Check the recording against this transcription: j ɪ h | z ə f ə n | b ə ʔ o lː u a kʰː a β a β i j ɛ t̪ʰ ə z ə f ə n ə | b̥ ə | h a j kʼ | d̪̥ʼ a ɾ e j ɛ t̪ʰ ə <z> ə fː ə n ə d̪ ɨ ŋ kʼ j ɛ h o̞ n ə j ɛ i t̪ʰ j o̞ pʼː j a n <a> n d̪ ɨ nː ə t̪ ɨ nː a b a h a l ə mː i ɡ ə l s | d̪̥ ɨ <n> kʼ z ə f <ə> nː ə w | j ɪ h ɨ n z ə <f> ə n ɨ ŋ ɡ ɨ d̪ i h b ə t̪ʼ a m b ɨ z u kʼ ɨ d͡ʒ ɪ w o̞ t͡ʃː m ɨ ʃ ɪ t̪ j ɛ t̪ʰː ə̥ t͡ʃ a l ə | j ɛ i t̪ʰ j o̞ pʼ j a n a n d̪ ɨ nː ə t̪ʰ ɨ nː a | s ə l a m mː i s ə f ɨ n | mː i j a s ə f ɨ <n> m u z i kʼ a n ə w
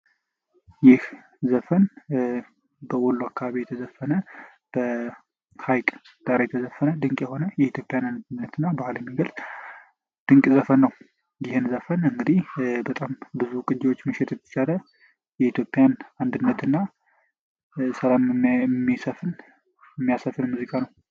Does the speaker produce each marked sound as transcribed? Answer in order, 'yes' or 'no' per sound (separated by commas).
yes, yes, no, yes, yes, yes